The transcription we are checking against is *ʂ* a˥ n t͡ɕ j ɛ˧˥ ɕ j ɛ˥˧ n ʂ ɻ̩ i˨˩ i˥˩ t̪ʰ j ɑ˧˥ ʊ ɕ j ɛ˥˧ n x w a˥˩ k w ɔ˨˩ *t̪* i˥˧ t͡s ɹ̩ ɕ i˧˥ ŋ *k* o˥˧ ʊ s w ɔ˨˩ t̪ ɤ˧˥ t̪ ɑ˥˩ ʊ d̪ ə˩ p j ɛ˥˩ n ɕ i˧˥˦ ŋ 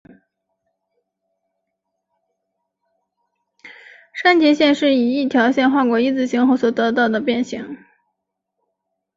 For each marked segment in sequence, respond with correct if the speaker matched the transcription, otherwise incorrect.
correct, incorrect, incorrect

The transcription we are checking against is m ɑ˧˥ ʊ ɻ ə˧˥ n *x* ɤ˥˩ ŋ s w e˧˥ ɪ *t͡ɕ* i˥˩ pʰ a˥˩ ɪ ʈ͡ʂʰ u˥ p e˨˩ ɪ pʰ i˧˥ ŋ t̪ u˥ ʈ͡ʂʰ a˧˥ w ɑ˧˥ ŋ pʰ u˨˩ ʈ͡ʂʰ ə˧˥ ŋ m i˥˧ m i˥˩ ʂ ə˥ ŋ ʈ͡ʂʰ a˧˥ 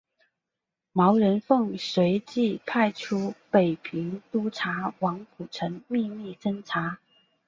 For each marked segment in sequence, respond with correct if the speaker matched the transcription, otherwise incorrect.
incorrect, correct

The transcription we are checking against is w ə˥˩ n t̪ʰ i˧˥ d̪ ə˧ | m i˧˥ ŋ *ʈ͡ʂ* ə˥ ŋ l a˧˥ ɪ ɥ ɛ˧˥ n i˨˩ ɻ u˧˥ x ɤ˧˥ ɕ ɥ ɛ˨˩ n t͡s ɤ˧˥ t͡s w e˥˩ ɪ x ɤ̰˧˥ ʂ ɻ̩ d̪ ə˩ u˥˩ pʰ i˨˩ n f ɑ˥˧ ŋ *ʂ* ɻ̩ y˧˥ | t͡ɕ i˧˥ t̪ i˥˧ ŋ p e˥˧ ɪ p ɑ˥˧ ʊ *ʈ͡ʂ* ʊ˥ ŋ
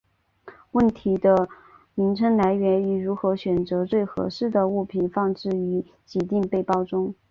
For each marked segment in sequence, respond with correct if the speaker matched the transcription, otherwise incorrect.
incorrect, incorrect, correct

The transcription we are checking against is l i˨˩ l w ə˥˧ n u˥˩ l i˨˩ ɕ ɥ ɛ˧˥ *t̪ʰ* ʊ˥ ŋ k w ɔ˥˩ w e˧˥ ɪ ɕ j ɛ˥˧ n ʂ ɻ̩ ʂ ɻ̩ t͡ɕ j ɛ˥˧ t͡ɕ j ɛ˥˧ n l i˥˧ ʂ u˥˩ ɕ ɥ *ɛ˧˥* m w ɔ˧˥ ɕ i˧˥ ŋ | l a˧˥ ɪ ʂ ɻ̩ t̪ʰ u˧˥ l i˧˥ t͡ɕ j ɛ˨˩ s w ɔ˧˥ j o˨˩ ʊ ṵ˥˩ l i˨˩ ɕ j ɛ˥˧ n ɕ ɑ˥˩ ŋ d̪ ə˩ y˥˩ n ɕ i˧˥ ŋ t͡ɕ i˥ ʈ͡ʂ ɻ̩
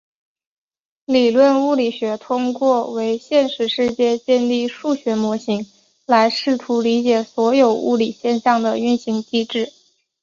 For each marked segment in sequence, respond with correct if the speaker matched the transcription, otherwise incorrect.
correct, correct

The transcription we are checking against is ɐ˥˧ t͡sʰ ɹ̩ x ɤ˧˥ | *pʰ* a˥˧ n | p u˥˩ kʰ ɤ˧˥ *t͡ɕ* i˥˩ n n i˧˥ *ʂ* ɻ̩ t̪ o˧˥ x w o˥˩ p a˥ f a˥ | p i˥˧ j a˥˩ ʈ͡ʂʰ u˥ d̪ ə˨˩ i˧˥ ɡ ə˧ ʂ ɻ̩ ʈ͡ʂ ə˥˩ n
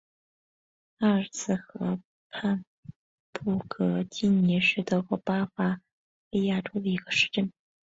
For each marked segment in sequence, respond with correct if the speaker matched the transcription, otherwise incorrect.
correct, correct, correct

